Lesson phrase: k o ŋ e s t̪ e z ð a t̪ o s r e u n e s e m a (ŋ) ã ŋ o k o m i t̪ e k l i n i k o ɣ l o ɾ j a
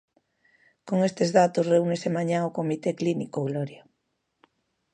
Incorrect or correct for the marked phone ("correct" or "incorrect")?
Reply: incorrect